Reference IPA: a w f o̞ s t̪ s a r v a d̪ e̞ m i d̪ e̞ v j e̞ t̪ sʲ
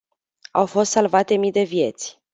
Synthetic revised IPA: a w f o̞ s t̪ s a l v a t̪ e̞ m i d̪ e̞ v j e̞ t̪ sʲ